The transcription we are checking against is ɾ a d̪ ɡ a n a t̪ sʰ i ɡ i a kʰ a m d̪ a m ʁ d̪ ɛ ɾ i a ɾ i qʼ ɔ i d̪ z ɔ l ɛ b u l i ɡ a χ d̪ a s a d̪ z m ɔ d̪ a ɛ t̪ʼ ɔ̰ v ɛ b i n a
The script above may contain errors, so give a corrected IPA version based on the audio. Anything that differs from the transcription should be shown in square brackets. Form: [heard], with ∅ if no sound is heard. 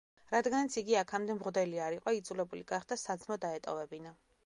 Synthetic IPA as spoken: ɾ a d̪ ɡ a n a t̪ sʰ i ɡ i a kʰ a m d̪ [ɛ] m ʁ d̪ ɛ [l] i a ɾ i qʼ ɔ i d̪ z [u] l ɛ b u l i ɡ a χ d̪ a s a d̪ z m ɔ d̪ a ɛ t̪ʼ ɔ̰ v ɛ b i n a